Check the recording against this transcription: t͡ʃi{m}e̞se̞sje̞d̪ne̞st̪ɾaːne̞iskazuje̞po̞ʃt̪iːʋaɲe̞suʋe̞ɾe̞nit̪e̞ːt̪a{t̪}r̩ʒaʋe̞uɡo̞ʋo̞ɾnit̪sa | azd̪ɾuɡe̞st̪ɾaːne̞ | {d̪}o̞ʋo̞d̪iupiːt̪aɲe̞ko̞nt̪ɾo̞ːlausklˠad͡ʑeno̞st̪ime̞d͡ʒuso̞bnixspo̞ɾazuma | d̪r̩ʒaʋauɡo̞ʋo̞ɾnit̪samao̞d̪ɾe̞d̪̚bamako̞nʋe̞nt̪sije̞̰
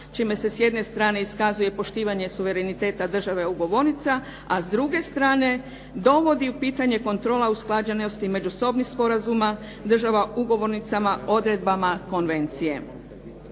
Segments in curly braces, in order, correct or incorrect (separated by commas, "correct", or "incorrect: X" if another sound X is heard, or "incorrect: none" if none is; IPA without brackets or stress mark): correct, incorrect: d̪, correct